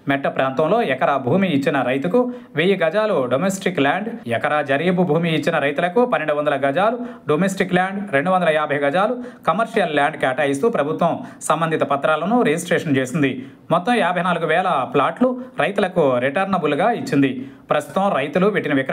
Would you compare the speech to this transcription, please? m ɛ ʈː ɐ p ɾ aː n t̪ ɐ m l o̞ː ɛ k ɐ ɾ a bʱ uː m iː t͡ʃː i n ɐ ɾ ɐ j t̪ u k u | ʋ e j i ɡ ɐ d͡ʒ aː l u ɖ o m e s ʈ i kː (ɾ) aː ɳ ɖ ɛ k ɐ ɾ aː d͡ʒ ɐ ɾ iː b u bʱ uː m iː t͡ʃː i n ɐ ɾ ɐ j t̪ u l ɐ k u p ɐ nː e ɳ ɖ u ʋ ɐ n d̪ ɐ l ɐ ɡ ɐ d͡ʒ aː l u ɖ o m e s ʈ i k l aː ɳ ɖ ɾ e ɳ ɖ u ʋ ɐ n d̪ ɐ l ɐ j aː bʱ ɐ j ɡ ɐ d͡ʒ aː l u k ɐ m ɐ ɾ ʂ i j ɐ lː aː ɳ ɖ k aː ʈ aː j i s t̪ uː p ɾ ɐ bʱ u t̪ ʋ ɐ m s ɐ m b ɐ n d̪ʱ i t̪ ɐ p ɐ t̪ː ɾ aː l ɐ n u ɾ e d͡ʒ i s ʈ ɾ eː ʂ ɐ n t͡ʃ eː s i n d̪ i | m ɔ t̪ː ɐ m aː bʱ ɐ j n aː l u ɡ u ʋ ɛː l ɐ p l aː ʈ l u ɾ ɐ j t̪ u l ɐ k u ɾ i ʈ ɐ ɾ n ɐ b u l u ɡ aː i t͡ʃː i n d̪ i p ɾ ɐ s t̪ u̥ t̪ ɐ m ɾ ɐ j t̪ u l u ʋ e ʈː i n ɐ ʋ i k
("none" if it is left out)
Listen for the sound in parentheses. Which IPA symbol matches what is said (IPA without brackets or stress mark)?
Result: l